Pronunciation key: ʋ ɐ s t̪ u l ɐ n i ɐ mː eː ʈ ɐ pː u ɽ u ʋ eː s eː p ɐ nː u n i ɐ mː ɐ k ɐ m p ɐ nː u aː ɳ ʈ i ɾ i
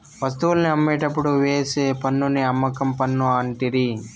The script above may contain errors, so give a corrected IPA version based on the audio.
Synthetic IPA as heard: ʋ ɐ s t̪ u l ɐ n i ɐ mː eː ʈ ɐ pː u ɽ u ʋ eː s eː p ɐ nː u n i ɐ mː ɐ k ɐ m p ɐ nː u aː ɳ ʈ i ɾ i